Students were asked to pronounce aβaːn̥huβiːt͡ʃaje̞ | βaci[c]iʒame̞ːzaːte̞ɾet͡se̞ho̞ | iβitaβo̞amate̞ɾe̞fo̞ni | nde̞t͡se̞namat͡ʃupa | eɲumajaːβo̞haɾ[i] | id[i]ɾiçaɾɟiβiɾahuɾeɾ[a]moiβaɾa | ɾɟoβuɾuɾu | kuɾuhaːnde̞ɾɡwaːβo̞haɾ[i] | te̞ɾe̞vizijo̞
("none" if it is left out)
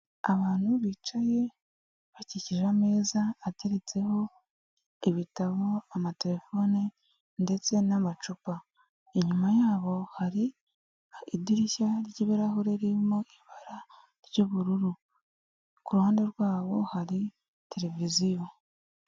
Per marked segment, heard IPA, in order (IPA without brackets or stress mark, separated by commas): c, i, i, i, i